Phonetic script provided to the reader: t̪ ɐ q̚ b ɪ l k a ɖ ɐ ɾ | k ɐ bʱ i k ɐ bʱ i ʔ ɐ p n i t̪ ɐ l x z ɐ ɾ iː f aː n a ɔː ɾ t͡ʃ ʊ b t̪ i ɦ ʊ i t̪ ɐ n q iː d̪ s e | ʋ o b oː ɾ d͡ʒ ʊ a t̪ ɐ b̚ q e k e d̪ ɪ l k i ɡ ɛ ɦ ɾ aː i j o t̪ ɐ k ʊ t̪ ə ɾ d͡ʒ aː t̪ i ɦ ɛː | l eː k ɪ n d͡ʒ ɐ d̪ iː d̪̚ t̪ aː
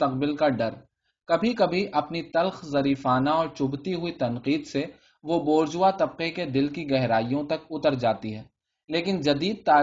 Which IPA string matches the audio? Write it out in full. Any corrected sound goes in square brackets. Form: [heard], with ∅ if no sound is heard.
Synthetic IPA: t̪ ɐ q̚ b ɪ l k a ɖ ɐ ɾ | k ɐ bʱ i k ɐ bʱ i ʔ ɐ p n i t̪ ɐ l x z ɐ ɾ iː f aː n a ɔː ɾ t͡ʃ ʊ b t̪ i ɦ ʊ i t̪ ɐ n q iː d̪ s e | ʋ o b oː ɾ d͡ʒ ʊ a t̪ ɐ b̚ q e k e d̪ ɪ l k i ɡ ɛ ɦ ɾ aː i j [õ] t̪ ɐ k ʊ t̪ ə ɾ d͡ʒ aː t̪ i ɦ ɛː | l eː k ɪ n d͡ʒ ɐ d̪ iː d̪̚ t̪ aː